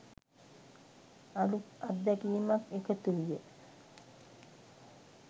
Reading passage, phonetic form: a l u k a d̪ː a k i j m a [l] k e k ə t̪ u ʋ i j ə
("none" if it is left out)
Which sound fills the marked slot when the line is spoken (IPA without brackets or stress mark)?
none